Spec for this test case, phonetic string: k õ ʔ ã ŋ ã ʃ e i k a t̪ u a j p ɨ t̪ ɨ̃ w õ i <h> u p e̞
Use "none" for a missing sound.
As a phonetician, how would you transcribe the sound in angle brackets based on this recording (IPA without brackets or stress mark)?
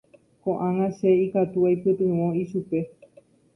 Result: ʃ